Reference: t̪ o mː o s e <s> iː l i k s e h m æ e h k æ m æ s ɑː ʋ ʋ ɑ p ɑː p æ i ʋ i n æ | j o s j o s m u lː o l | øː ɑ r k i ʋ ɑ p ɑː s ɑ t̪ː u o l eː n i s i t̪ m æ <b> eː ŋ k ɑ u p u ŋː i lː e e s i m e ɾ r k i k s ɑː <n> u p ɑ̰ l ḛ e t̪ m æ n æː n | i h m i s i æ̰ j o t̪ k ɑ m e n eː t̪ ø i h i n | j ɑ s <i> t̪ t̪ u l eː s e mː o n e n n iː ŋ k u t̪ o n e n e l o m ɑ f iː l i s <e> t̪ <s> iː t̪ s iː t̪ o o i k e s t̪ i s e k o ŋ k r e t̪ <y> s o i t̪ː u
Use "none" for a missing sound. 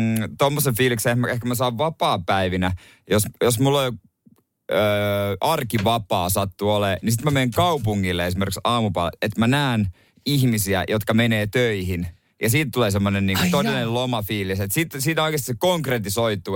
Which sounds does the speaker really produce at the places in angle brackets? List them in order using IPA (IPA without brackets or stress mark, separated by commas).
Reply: f, m, m, iː, e, s, i